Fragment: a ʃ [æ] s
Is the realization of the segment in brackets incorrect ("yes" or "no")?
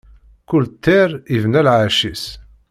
yes